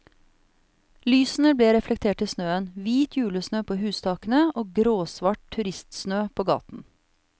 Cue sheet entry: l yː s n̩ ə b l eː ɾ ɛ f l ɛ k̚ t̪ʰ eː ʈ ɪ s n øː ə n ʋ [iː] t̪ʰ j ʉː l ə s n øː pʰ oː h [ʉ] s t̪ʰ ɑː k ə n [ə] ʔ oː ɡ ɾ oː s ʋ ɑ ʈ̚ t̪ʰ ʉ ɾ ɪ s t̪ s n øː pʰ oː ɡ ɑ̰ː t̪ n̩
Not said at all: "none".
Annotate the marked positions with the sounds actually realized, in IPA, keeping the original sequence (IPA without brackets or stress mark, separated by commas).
iː, ʉː, ə